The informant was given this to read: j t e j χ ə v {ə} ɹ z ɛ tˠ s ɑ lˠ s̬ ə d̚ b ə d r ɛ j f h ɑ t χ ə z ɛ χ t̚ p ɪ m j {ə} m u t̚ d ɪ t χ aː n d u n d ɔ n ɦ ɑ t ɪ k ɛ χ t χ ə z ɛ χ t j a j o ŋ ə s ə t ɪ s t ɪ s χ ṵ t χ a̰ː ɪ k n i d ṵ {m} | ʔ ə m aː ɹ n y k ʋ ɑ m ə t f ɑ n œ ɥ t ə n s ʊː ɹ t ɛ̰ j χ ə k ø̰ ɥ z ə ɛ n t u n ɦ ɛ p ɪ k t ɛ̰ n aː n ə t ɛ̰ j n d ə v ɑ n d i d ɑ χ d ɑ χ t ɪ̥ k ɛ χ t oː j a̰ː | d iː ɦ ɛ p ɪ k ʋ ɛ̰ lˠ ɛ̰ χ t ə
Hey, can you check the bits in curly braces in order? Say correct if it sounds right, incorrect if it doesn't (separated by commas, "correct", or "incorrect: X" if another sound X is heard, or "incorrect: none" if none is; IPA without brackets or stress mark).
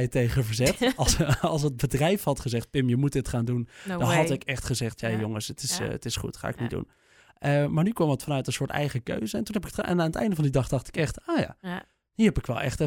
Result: correct, correct, incorrect: n